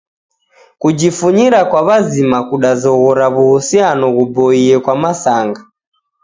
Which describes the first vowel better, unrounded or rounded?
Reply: rounded